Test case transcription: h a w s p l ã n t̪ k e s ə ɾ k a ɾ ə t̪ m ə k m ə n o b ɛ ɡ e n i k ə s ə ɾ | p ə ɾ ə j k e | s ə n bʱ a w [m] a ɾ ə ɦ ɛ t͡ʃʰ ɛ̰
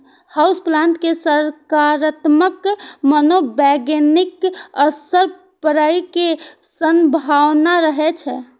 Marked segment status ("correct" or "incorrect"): incorrect